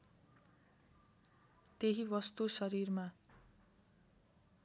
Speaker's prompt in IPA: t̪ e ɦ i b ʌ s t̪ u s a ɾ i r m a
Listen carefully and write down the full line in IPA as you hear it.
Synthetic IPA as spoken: t̪ e ɦ i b ʌ s t̪ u s ʌ ɾ i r m a